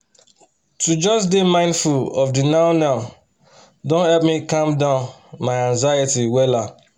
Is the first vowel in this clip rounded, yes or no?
yes